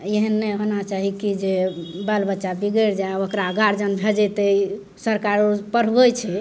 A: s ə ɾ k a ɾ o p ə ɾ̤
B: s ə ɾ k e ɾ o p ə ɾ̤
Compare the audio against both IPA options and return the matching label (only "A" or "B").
A